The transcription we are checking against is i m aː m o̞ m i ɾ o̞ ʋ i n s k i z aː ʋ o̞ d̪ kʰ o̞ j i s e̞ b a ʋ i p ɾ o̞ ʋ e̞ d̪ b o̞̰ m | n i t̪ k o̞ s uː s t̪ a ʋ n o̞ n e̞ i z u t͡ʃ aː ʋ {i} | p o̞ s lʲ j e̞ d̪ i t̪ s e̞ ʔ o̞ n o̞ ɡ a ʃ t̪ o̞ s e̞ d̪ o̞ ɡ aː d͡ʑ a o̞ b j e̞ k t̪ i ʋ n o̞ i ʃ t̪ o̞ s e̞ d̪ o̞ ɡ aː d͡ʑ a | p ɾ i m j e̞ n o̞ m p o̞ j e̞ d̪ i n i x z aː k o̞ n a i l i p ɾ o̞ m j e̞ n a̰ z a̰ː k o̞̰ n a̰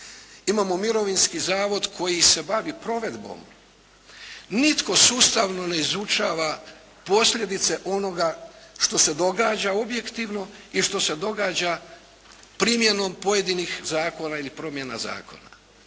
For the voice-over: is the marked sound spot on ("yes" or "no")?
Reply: no